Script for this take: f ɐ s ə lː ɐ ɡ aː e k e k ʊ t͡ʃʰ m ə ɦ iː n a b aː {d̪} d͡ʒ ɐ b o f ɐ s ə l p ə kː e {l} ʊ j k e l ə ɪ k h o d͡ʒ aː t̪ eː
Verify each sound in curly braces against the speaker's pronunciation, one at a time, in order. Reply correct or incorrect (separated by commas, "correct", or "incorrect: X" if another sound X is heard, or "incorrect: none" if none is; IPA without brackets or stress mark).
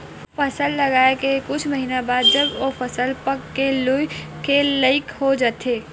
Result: correct, correct